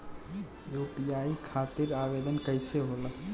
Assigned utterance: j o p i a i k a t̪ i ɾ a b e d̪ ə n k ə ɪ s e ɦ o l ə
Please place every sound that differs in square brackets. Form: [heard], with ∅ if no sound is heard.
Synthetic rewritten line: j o p i a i [kʰ] a t̪ i ɾ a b e d̪ ə n k ə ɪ s e ɦ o l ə